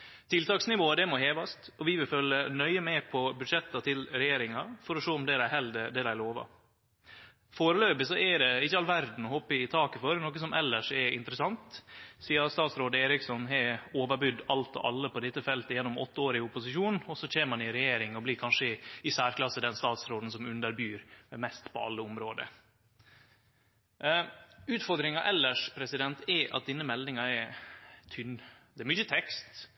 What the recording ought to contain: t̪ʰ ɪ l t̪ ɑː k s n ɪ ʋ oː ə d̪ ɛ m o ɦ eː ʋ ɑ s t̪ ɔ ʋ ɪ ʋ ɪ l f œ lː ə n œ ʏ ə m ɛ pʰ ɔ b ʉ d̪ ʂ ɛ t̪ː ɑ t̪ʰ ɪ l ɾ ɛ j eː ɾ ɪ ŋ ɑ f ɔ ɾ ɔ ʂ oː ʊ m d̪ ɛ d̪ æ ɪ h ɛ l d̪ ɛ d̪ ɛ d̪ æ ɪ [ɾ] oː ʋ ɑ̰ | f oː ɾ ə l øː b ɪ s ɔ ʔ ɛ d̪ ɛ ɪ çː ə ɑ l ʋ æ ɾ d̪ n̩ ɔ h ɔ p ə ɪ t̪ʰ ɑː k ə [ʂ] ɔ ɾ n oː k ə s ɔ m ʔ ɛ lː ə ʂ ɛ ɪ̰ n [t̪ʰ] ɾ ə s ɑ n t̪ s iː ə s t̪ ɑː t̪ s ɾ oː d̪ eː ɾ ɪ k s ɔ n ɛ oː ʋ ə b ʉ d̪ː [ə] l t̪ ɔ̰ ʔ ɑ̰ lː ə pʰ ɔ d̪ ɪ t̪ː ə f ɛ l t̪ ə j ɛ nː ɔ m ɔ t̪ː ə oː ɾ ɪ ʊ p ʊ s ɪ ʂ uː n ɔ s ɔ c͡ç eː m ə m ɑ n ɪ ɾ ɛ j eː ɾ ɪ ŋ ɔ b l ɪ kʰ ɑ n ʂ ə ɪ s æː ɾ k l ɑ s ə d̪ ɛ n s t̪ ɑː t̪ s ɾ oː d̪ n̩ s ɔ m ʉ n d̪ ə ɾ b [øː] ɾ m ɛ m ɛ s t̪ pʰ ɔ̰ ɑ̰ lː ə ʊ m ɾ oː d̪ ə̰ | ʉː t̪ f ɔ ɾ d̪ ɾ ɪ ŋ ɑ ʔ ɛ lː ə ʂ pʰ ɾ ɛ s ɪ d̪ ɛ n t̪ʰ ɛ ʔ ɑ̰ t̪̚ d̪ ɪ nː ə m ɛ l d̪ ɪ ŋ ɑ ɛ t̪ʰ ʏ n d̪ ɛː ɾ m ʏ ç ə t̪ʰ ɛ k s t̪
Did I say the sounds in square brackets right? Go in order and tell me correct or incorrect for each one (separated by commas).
incorrect, incorrect, incorrect, incorrect, incorrect